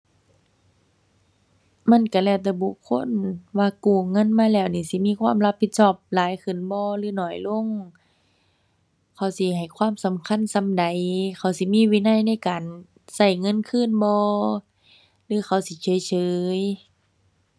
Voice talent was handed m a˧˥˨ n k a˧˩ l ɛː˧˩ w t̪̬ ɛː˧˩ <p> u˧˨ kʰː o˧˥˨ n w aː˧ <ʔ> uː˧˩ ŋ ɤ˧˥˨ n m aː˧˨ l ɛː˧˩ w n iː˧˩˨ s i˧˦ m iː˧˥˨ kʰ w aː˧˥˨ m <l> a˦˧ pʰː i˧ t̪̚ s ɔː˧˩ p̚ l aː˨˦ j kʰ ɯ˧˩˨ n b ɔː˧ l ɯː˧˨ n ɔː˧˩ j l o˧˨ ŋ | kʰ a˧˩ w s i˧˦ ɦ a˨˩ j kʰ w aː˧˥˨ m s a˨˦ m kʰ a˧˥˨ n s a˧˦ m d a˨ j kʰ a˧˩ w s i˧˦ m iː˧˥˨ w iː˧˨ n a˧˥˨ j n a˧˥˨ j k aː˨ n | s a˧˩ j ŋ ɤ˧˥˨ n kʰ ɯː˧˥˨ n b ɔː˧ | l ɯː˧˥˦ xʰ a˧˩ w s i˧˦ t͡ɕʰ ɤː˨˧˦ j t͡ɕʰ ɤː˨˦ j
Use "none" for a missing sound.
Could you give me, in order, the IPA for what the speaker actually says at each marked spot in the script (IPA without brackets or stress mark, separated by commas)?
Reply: b, k, l